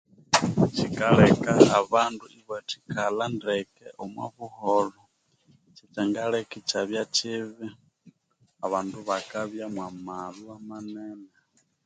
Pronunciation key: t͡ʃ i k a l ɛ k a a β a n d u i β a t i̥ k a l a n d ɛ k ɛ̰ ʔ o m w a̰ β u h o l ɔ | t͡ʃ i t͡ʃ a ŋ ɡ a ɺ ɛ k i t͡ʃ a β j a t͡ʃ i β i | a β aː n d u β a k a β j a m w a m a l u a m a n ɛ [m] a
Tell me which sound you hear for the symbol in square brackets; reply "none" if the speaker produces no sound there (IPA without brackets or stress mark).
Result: n